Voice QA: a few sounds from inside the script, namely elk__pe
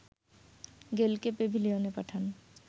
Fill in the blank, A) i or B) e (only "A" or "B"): B